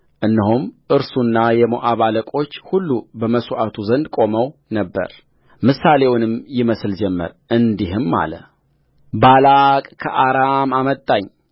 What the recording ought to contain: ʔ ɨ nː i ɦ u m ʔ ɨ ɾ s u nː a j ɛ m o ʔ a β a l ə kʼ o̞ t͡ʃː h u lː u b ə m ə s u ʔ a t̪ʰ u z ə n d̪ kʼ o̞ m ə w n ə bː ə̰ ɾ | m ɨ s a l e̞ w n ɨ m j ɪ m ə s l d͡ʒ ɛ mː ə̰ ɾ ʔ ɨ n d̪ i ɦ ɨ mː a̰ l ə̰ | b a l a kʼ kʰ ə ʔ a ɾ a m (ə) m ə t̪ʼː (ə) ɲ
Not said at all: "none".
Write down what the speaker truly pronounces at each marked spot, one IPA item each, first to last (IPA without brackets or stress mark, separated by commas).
a, a